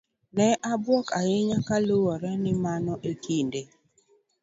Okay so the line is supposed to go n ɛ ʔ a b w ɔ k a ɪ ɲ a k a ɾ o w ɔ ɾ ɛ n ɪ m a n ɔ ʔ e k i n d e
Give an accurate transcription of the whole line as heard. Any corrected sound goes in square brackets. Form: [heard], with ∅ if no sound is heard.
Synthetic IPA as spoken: n ɛ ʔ a b w ɔ k a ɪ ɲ a k a [l] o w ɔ ɾ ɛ n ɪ m a n ɔ ʔ e k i n d e